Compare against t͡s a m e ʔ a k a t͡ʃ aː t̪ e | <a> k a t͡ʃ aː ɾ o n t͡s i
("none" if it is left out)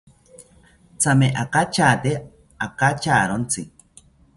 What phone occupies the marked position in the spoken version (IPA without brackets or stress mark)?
a